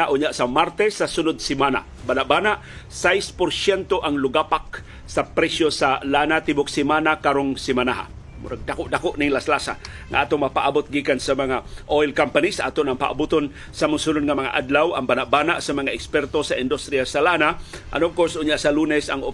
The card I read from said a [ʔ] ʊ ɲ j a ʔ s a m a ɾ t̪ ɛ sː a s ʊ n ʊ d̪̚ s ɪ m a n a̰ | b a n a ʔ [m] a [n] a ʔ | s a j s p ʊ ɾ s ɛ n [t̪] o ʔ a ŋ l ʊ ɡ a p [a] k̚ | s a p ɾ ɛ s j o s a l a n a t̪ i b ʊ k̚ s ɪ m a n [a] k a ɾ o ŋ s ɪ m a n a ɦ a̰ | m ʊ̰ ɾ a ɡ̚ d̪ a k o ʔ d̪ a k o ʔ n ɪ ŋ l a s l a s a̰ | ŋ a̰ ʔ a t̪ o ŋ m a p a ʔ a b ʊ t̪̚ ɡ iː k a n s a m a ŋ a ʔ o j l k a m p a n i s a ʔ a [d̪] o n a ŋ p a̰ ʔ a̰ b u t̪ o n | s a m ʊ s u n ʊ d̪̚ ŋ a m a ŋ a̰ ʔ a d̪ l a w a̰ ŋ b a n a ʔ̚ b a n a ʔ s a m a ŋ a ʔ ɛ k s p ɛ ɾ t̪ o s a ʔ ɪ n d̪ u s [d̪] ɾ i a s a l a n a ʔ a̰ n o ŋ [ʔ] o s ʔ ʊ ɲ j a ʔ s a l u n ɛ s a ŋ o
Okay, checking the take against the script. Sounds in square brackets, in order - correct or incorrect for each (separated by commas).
correct, incorrect, correct, correct, correct, correct, incorrect, incorrect, incorrect